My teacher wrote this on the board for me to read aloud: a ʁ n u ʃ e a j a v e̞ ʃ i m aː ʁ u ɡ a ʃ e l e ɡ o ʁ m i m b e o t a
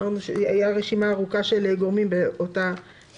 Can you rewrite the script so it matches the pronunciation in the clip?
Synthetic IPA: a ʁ n u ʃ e a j a ʁ e̞ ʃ i m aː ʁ u k a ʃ e l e ɡ o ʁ m i m b e o t a